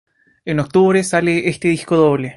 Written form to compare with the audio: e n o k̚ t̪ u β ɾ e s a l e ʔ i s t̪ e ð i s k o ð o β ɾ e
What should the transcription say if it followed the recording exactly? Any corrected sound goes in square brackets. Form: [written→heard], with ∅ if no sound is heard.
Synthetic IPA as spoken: e n o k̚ t̪ u β ɾ e s a l e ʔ [i→e] s t̪ e ð i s k o ð o β [ɾ→l] e